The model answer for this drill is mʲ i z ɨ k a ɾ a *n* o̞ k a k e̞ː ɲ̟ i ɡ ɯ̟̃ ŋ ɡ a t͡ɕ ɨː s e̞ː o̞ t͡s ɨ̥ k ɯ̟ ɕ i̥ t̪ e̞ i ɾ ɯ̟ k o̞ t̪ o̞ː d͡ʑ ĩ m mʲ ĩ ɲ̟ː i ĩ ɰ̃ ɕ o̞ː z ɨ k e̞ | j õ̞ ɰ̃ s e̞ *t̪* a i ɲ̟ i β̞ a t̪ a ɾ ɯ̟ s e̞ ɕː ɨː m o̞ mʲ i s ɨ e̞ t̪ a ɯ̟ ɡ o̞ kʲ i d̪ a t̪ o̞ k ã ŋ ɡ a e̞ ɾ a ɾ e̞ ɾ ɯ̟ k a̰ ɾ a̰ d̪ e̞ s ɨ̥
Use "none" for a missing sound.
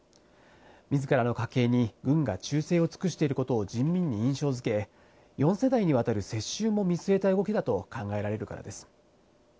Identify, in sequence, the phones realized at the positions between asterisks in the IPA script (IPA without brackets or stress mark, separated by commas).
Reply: n, d̪